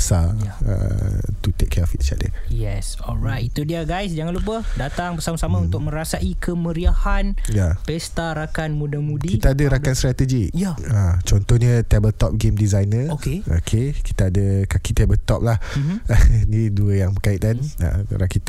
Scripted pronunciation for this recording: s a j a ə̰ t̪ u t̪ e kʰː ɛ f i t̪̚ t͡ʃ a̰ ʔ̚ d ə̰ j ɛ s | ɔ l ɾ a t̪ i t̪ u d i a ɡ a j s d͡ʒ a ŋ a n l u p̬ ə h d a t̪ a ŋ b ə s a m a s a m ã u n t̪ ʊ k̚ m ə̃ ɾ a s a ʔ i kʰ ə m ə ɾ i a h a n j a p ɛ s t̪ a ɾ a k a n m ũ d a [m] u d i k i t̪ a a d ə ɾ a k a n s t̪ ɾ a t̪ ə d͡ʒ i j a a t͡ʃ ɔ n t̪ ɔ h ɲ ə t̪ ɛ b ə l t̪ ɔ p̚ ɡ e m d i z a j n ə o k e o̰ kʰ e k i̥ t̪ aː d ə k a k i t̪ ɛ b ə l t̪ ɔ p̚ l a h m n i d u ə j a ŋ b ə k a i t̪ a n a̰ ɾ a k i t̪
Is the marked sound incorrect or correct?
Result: correct